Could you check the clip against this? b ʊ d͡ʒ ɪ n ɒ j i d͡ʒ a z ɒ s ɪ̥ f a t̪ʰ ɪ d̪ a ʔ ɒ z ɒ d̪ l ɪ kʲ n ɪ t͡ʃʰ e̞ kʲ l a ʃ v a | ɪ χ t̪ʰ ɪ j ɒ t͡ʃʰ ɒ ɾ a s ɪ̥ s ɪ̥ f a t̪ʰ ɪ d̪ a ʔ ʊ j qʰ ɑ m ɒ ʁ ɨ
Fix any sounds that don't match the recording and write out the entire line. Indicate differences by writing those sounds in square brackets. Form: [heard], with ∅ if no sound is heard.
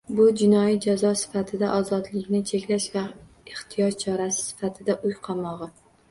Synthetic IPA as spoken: b ʊ d͡ʒ ɪ n ɒ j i d͡ʒ a z ɒ s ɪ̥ f a t̪ʰ ɪ d̪ a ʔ ɒ z ɒ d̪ l ɪ kʲ n ɪ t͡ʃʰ e̞ kʲ l a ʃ v a | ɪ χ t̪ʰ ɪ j ɒ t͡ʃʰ ɒ ɾ a s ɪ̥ s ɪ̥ f a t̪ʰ ɪ d̪ a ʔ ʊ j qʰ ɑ m ɒ ʁ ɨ